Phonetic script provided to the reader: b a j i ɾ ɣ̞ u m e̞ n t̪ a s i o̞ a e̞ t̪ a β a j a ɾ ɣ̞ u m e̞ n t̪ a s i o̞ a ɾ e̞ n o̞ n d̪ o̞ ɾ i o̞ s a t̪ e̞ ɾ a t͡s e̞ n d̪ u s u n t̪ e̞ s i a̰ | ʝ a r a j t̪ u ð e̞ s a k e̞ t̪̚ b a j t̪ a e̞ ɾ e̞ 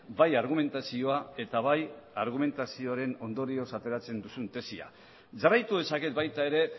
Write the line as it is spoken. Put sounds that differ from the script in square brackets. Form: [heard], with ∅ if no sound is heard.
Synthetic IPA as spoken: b a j [a] ɾ ɣ̞ u m e̞ n t̪ a s i o̞ a e̞ t̪ a β a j a ɾ ɣ̞ u m e̞ n t̪ a s i o̞ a ɾ e̞ n o̞ n d̪ o̞ ɾ i o̞ s a t̪ e̞ ɾ a t͡s e̞ n d̪ u s u n t̪ e̞ s i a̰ | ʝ a r a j t̪ u ð e̞ s a k e̞ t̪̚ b a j t̪ a e̞ ɾ e̞